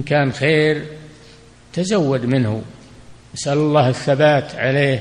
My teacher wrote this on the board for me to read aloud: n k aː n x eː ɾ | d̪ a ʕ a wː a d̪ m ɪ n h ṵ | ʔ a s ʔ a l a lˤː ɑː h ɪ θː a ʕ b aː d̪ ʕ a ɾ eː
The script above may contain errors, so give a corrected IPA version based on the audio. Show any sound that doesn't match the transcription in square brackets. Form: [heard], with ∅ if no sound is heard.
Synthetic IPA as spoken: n k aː n x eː ɾ | [t̪] a [z] a wː a d̪ m ɪ n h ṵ | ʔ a s ʔ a l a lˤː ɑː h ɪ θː a [∅] b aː [t̪] ʕ a [l] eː